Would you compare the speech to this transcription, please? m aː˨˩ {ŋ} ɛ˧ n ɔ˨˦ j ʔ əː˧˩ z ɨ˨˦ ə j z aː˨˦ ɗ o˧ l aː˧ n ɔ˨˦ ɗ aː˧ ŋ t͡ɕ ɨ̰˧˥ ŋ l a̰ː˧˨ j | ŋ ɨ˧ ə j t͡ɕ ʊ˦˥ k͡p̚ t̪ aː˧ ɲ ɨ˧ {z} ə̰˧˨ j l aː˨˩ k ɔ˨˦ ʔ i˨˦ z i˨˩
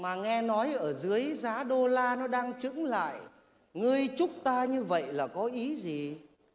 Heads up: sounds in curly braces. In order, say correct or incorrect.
correct, incorrect: v

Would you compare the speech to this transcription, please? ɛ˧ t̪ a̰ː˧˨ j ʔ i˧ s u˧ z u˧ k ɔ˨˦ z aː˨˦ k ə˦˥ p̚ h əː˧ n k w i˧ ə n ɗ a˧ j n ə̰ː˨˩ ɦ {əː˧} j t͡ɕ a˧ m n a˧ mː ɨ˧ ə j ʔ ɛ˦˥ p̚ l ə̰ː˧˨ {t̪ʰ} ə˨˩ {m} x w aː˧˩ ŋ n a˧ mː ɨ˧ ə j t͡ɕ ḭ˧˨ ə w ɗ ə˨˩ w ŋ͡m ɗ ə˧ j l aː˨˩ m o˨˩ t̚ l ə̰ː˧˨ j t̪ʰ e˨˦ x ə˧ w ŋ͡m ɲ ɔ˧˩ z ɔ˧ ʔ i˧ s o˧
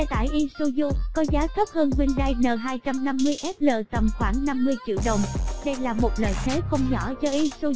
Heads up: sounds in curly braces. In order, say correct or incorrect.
incorrect: aː˧, incorrect: t̪, correct

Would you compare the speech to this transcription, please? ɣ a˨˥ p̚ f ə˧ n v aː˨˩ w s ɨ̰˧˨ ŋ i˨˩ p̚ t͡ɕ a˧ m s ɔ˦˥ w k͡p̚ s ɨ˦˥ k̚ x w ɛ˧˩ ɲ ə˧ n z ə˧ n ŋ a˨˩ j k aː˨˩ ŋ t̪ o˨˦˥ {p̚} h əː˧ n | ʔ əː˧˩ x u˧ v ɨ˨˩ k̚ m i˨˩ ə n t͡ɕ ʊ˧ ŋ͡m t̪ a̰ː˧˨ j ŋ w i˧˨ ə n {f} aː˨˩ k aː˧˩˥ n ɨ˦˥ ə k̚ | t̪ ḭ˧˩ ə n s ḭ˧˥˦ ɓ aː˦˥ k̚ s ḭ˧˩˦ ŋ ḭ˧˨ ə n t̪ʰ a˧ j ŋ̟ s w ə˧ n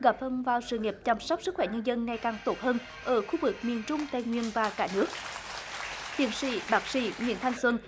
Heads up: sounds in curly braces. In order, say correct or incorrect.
incorrect: t̚, incorrect: v

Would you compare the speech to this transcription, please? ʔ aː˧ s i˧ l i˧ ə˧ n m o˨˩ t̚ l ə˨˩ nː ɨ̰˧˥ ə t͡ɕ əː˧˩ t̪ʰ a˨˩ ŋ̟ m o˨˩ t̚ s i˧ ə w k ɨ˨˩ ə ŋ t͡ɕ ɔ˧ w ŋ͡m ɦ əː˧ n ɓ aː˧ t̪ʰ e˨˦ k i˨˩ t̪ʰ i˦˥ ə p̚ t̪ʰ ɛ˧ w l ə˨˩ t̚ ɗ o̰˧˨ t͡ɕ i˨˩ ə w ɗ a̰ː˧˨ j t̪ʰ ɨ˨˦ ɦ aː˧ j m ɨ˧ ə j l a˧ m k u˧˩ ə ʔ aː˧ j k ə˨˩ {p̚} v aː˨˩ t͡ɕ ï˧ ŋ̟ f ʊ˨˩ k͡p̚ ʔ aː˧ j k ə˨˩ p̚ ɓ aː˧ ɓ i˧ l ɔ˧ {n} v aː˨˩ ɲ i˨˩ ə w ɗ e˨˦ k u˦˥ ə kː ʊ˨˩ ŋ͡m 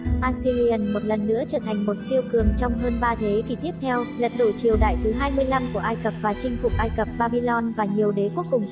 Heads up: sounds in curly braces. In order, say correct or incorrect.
correct, correct

